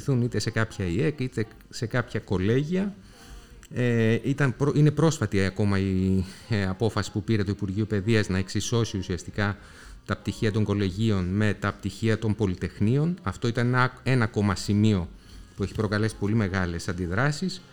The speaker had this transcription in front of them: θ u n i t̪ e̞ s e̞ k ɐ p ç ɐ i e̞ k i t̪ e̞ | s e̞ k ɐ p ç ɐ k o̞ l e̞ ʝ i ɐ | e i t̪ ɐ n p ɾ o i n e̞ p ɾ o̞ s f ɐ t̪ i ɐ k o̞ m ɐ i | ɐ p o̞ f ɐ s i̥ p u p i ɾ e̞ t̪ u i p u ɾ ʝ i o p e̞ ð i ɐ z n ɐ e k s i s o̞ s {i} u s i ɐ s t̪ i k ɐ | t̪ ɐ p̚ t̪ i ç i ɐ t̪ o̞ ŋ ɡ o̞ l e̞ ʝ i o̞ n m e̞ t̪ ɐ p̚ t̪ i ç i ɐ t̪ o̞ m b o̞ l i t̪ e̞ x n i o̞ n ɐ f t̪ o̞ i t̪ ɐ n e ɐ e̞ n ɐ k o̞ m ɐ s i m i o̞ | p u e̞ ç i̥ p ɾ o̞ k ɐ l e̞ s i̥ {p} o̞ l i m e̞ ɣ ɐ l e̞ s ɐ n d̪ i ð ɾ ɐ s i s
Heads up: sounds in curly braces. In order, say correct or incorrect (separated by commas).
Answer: correct, correct